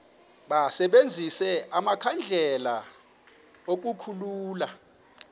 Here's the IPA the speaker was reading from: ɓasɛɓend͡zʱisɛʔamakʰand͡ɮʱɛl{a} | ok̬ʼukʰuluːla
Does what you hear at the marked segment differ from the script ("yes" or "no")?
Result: no